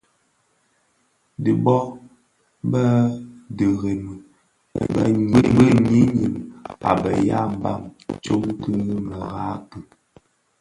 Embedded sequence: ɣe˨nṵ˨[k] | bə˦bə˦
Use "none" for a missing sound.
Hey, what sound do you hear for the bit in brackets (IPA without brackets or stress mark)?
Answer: none